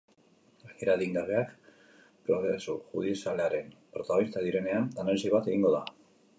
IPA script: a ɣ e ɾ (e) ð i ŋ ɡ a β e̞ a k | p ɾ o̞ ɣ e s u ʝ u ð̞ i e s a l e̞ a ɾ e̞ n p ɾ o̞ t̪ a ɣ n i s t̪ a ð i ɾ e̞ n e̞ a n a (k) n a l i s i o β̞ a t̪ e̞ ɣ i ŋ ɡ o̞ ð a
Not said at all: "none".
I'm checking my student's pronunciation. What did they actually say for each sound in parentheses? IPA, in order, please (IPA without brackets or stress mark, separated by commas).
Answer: a, none